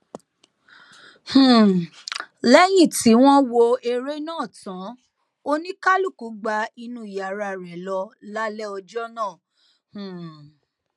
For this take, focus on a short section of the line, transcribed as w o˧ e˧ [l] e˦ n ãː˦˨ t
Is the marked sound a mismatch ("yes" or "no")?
yes